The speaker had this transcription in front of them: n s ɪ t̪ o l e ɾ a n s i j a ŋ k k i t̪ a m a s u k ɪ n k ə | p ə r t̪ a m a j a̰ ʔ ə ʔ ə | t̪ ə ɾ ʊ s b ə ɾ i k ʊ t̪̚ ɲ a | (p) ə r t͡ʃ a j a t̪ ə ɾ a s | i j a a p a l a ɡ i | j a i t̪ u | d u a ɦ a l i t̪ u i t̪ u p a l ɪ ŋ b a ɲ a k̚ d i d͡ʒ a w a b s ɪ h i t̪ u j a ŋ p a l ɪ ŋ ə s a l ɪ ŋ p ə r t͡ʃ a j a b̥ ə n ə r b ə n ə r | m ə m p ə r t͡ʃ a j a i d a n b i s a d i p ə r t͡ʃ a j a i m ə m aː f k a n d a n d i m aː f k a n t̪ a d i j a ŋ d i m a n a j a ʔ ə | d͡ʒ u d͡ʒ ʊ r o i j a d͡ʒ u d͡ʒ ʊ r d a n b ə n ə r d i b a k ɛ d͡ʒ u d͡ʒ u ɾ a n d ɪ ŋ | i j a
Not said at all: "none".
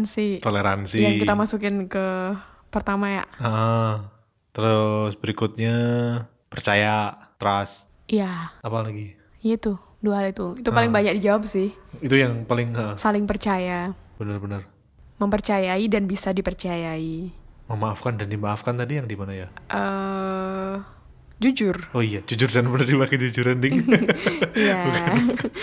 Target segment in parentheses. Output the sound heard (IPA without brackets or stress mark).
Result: p